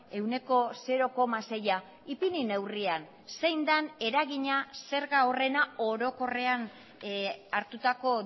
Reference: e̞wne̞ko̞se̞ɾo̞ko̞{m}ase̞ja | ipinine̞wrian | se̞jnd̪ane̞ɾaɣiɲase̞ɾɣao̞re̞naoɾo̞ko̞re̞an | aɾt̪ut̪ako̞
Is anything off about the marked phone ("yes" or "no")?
no